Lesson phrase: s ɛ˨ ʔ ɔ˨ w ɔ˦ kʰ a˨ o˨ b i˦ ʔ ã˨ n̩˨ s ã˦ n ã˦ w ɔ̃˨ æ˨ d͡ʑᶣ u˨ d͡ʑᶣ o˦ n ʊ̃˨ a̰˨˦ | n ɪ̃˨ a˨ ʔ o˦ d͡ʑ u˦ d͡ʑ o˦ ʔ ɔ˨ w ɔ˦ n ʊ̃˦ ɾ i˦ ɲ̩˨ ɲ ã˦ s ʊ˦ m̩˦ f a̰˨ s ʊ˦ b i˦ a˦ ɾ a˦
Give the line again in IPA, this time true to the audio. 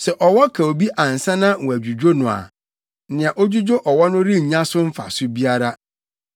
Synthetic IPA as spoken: s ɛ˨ ʔ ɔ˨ w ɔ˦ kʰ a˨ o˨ b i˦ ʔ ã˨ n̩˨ s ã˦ n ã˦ w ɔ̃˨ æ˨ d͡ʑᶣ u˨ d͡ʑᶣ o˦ n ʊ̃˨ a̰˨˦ | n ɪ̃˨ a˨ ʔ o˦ d͡ʑ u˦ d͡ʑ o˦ ʔ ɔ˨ w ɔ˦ n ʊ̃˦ ɾ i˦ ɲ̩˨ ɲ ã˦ s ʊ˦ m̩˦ f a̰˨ s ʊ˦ b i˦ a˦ ɾ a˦